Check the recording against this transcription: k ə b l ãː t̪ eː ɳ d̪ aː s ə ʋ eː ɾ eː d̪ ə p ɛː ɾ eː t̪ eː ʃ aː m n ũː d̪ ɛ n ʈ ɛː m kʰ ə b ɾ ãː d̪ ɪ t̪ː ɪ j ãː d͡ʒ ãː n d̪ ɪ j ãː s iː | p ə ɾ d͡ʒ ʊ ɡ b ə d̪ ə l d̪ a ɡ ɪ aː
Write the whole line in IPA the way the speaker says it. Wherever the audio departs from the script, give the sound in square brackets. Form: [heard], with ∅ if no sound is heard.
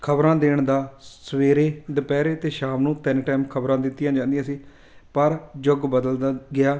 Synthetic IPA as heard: [kʰ] ə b [ɾ] ãː [d̪] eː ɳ d̪ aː s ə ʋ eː ɾ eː d̪ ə p ɛː ɾ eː t̪ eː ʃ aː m n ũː [t̪] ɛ n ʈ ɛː m kʰ ə b ɾ ãː d̪ ɪ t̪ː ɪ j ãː d͡ʒ ãː n d̪ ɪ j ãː s iː | p ə ɾ d͡ʒ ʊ ɡ b ə d̪ ə l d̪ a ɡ ɪ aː

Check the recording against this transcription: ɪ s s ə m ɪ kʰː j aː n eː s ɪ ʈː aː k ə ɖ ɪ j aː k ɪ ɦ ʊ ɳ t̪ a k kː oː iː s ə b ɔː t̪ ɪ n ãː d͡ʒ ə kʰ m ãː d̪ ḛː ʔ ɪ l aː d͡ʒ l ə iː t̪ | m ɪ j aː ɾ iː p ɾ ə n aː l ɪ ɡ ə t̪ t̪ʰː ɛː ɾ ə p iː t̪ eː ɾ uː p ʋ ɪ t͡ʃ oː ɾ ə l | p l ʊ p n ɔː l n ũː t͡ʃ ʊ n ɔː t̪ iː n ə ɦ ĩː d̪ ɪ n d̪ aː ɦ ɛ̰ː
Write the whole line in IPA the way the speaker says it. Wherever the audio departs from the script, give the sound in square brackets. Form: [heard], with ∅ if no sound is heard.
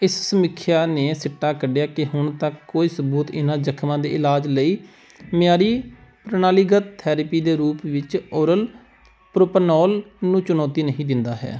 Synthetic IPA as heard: ɪ s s ə m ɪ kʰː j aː n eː s ɪ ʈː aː k ə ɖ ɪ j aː k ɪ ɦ ʊ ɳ t̪ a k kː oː iː s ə b [uː] t̪ ɪ n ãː d͡ʒ ə kʰ m ãː d̪ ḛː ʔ ɪ l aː d͡ʒ l ə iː [∅] | m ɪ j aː ɾ iː p ɾ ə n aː l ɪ ɡ ə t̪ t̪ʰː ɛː ɾ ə p iː [d̪] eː ɾ uː p ʋ ɪ t͡ʃ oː ɾ ə l | p [ɾ] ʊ p n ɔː l n ũː t͡ʃ ʊ n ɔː t̪ iː n ə ɦ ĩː d̪ ɪ n d̪ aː ɦ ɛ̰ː

